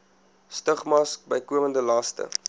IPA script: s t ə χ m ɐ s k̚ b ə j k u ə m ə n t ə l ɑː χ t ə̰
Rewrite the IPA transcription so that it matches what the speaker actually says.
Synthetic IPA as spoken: s t ə χ m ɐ s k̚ b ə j k u ə m ə n d ə l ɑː s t ə̰